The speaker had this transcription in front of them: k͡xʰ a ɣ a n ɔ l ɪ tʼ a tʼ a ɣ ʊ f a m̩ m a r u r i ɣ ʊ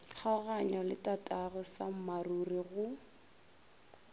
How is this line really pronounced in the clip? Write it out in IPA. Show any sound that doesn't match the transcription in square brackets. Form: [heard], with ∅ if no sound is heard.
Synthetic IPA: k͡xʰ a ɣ a [ɲ] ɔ l ɪ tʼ a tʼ a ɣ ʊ [s] a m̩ m a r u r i ɣ ʊ